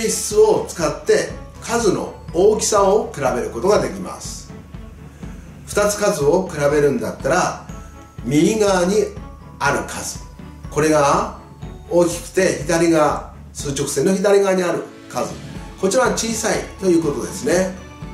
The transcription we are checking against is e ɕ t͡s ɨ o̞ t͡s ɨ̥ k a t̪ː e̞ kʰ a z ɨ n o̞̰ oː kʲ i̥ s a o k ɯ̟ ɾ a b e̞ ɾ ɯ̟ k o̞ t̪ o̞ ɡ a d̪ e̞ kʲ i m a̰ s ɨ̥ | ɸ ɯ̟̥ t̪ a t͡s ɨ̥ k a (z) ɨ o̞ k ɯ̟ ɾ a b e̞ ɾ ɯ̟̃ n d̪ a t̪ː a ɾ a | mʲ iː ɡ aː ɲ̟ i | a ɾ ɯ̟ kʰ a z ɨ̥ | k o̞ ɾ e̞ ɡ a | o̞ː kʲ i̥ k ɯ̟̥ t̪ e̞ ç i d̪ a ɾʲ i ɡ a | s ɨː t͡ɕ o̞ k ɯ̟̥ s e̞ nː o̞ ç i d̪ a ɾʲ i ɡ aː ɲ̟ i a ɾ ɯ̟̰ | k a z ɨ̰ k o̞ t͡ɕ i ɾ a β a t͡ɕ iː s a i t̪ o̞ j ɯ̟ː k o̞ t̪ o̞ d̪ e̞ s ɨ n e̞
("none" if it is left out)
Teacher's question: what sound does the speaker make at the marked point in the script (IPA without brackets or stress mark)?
z